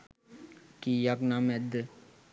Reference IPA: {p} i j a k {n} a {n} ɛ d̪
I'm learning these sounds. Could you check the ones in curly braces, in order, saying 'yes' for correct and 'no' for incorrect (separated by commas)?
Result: no, yes, no